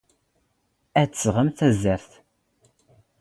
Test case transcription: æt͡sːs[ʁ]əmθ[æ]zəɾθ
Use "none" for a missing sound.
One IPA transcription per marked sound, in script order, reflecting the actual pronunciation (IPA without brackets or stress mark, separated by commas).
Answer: ʁ, æ